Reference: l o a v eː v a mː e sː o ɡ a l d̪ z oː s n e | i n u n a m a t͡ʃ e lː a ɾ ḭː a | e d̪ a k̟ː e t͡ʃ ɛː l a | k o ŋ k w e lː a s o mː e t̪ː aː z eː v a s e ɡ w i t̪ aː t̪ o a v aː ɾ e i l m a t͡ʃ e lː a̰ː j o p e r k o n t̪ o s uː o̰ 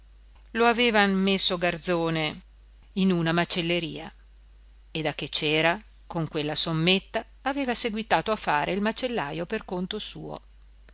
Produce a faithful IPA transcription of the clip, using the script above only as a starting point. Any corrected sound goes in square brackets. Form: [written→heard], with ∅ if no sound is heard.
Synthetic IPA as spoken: l o a v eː v a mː e sː o ɡ a [l→r] d̪ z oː [s→∅] n e | i n u n a m a t͡ʃ e lː [a→e] ɾ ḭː a | e d̪ a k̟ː e t͡ʃ ɛː [l→ɾ] a | k o ŋ k w e lː a s o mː e t̪ː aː [z→v] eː v a s e ɡ w i t̪ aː t̪ o a [v→f] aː ɾ e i l m a t͡ʃ e lː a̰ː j o p e r k o n t̪ o s uː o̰